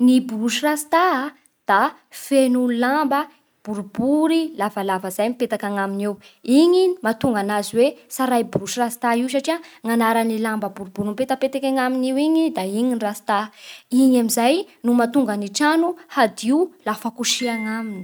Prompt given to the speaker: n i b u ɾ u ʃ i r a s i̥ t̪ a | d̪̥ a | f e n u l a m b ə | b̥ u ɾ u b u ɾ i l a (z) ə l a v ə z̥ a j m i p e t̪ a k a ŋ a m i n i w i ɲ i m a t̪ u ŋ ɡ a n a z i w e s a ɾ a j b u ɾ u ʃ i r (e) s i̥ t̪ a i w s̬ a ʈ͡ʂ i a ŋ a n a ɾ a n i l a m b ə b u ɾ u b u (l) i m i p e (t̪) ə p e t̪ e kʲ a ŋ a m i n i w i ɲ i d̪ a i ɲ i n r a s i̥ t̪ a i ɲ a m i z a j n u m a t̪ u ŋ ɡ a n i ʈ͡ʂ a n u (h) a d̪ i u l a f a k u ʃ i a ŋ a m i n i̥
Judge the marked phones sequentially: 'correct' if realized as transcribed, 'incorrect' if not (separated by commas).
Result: incorrect, incorrect, incorrect, correct, correct